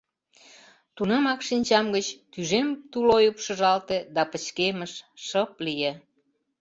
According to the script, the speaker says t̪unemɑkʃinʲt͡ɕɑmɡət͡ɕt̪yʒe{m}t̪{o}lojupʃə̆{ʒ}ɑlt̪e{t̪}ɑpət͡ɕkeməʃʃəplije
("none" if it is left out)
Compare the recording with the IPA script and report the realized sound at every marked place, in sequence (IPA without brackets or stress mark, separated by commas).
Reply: m, u, ʒ, d̪